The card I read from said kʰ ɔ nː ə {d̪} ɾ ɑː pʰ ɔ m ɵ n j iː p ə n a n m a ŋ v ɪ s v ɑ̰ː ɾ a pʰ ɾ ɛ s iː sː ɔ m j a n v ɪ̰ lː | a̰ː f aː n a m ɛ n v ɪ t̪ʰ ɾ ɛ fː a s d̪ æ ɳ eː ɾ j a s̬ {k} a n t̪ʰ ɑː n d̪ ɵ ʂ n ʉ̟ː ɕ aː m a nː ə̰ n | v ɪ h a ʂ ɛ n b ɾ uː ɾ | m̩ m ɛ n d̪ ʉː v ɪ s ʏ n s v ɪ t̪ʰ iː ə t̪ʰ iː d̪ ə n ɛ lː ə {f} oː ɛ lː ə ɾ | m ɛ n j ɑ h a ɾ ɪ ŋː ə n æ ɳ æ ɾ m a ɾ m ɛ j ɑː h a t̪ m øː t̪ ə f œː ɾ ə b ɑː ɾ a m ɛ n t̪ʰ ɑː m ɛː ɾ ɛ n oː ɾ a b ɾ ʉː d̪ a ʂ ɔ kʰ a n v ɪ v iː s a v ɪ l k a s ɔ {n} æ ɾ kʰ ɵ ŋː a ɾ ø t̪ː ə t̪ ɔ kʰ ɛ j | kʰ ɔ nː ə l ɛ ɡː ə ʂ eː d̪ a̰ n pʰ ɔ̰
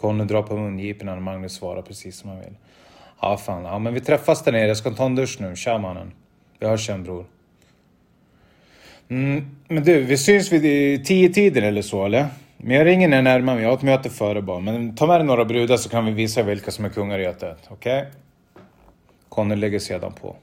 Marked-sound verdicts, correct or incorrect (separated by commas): correct, correct, incorrect, incorrect